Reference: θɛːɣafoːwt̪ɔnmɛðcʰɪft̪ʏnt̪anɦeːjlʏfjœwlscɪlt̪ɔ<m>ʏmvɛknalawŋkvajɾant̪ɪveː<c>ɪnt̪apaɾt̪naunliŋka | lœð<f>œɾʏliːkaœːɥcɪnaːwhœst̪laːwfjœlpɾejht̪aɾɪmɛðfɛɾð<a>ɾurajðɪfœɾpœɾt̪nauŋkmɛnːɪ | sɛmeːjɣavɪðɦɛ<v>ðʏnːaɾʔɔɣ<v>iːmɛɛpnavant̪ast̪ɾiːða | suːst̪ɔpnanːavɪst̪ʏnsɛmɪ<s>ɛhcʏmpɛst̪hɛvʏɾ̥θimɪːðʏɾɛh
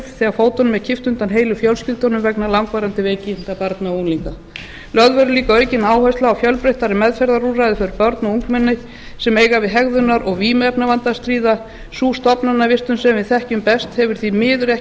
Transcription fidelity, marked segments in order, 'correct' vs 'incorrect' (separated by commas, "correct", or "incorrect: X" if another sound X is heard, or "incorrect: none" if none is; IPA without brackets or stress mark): incorrect: n, correct, incorrect: v, correct, incorrect: ɣ, correct, incorrect: θ